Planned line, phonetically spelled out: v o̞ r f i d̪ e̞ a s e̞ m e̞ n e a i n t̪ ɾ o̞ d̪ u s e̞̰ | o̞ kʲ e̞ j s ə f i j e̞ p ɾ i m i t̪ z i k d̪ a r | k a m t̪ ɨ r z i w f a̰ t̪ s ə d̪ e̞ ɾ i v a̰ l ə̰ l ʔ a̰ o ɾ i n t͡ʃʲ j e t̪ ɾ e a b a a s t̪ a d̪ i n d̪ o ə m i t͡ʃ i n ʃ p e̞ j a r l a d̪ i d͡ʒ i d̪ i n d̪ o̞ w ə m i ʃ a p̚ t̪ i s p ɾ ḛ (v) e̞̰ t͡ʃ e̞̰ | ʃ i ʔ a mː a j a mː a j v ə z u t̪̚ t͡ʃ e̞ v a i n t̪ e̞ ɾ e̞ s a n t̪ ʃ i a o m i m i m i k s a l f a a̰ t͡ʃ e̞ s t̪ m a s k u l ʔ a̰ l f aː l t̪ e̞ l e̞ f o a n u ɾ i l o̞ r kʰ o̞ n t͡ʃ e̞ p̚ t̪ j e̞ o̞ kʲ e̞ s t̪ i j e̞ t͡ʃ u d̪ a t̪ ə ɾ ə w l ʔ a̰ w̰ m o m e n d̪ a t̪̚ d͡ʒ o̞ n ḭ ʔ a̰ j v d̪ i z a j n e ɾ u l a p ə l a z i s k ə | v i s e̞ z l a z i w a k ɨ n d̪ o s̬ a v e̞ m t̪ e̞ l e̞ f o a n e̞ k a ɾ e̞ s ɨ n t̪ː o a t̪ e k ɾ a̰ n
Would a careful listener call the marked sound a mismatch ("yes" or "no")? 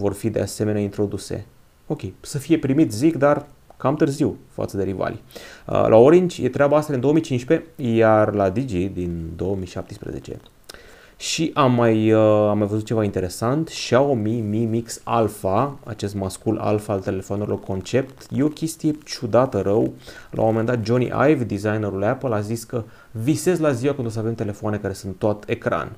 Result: yes